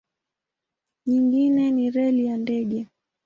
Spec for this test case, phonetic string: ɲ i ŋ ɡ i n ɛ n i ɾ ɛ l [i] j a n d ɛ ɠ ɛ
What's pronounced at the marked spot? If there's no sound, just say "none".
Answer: i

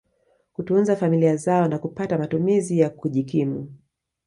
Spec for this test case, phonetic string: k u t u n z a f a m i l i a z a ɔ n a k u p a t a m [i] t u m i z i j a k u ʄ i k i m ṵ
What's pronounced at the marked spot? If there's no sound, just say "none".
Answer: a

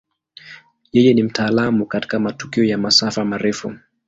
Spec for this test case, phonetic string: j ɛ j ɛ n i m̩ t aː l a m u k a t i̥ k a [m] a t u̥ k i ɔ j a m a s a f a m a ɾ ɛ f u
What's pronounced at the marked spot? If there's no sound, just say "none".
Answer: m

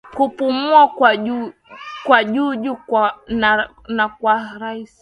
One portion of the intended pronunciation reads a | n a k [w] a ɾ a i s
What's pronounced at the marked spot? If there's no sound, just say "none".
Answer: w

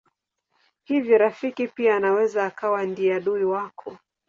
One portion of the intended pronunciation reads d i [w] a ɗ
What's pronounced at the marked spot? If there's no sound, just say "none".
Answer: none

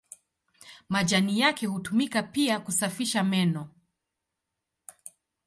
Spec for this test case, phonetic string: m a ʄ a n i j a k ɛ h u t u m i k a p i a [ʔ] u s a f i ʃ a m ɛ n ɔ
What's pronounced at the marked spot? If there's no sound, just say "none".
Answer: k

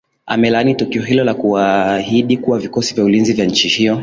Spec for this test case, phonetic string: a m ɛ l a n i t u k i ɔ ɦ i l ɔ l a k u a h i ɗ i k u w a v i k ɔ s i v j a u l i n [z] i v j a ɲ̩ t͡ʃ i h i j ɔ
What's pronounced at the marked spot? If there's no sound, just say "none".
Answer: z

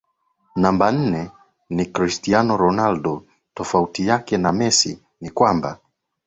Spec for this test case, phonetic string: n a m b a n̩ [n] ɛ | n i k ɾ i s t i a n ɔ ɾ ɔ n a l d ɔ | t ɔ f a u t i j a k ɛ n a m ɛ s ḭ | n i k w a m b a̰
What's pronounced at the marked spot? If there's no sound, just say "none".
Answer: n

